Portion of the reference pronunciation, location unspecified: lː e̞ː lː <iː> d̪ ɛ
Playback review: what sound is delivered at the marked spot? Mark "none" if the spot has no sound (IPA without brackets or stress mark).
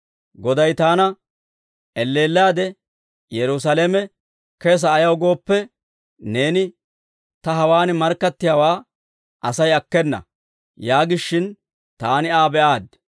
aː